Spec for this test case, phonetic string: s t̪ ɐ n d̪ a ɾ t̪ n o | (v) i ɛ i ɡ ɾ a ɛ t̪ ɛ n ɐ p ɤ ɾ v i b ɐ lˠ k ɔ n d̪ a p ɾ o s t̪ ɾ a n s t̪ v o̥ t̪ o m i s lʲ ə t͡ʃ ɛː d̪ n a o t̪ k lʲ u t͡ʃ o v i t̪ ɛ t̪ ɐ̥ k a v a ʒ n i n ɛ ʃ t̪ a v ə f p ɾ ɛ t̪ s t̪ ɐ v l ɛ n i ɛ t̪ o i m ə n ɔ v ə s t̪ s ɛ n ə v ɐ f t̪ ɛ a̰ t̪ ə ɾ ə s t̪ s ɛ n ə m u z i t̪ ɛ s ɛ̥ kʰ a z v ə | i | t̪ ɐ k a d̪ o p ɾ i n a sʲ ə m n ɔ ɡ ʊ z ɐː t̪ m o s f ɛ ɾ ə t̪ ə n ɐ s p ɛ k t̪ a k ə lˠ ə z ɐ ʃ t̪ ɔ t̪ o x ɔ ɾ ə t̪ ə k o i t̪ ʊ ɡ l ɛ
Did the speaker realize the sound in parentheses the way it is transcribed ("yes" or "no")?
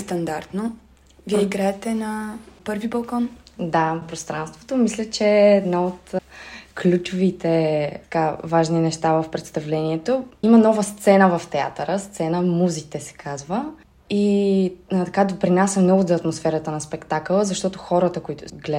yes